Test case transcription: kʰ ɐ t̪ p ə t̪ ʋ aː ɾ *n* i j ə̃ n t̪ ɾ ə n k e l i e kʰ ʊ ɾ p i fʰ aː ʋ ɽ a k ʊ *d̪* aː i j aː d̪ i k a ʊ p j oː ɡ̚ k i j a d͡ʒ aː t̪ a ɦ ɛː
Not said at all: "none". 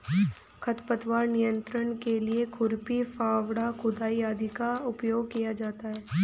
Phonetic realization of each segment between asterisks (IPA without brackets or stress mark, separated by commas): n, d̪